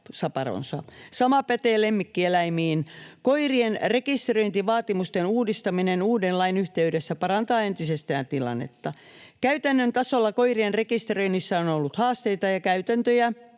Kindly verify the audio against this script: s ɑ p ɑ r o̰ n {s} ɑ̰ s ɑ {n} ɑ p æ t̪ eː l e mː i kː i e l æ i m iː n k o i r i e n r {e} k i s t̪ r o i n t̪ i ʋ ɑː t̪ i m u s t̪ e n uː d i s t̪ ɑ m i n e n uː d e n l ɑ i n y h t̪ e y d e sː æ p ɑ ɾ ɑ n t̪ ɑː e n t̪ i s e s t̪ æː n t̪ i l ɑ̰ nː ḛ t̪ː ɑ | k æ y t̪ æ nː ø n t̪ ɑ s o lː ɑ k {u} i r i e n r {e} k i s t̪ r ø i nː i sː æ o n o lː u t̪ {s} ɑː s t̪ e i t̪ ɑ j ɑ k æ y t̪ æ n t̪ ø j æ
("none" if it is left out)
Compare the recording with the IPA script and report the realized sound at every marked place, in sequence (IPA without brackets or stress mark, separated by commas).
s, m, e, o, e, h